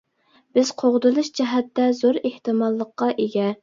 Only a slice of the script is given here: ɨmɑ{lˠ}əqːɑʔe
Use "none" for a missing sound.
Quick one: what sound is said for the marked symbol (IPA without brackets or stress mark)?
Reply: lˠː